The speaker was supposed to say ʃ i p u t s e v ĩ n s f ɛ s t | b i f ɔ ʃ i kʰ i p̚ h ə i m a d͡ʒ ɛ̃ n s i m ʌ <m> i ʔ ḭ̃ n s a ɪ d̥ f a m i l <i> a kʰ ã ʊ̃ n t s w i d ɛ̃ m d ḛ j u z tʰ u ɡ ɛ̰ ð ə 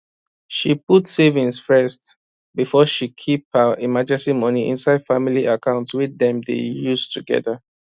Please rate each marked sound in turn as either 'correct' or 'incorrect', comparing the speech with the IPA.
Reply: incorrect: n, correct

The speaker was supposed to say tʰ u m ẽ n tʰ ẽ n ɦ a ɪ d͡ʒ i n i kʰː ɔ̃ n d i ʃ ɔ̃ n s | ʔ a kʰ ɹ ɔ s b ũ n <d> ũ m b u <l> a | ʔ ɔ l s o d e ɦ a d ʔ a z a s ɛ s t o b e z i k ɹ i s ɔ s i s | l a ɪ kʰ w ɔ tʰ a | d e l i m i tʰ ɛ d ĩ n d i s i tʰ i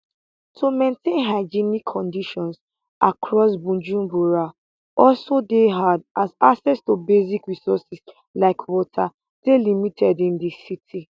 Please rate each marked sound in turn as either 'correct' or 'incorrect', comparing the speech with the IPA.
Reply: incorrect: d͡ʒ, incorrect: ɹ

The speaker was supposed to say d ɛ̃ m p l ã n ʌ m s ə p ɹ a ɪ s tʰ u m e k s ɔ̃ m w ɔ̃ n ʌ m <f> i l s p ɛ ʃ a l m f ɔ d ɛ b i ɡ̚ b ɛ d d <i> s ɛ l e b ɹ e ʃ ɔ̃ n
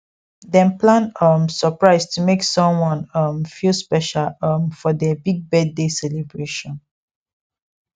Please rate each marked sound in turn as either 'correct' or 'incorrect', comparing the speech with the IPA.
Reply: correct, incorrect: e

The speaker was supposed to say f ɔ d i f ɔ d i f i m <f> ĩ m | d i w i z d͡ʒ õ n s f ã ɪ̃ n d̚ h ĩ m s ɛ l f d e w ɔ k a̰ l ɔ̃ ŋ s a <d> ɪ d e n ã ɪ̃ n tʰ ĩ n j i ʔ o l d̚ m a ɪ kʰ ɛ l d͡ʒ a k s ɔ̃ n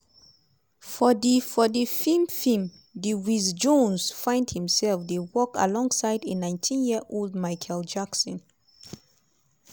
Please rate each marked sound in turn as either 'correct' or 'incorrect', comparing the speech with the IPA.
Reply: correct, incorrect: none

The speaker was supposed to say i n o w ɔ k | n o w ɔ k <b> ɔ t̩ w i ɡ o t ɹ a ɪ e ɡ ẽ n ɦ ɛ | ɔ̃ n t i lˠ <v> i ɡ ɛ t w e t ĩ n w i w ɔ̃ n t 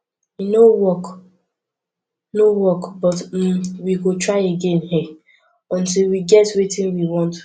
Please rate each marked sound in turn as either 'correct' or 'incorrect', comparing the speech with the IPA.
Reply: correct, incorrect: w

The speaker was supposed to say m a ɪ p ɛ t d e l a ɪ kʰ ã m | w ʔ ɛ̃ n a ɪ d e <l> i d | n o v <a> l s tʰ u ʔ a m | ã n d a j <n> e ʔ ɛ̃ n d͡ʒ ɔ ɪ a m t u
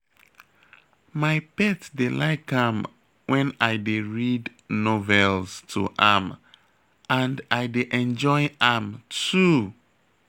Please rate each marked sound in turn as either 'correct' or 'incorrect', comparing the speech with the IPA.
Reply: incorrect: ɹ, incorrect: ɛ, incorrect: d

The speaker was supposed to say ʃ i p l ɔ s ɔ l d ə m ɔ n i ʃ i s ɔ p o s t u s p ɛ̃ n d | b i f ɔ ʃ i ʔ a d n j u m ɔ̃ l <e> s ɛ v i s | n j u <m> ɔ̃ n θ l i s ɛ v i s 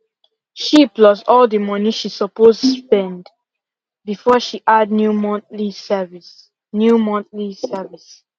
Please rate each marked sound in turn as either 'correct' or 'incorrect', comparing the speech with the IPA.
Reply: incorrect: i, correct

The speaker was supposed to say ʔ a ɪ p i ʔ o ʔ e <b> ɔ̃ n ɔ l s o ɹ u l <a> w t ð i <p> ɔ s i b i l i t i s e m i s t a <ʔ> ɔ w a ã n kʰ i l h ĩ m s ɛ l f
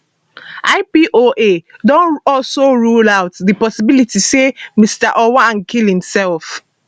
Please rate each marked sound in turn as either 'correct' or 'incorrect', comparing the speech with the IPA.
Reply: incorrect: d, correct, correct, correct

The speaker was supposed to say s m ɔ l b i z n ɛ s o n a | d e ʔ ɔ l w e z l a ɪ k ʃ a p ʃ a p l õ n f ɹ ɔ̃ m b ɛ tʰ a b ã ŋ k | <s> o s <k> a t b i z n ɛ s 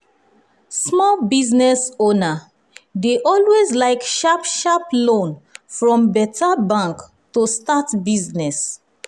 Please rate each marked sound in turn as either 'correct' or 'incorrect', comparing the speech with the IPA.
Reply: incorrect: t, incorrect: t

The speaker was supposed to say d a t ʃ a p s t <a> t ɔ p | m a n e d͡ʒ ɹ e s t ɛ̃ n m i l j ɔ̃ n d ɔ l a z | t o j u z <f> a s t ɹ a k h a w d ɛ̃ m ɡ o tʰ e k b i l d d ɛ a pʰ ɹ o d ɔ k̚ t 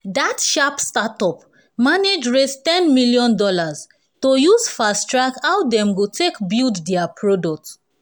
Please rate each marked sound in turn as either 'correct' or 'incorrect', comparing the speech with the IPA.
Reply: correct, correct

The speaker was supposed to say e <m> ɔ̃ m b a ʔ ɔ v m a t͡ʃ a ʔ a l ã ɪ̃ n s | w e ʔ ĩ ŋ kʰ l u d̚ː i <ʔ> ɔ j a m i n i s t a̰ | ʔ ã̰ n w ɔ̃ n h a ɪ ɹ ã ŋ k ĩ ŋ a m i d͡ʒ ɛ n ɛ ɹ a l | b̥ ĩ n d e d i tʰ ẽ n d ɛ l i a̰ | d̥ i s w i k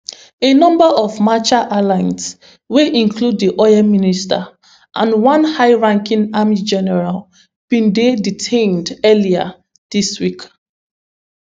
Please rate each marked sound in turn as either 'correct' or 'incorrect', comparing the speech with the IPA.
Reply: incorrect: n, correct

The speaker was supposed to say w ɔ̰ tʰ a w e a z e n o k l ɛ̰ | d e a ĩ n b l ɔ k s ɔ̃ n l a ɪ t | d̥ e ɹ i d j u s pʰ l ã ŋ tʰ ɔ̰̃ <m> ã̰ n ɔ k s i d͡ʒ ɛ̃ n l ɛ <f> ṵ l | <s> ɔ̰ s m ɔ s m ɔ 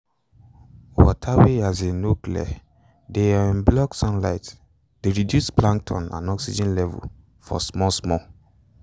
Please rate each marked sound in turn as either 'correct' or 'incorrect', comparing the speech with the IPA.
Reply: incorrect: n, incorrect: v, incorrect: f

